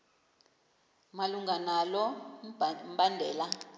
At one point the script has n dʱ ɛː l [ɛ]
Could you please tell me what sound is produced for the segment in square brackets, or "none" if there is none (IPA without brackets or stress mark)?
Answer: a